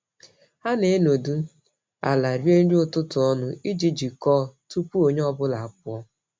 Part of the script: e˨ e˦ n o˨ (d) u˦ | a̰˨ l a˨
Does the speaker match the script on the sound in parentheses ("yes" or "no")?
yes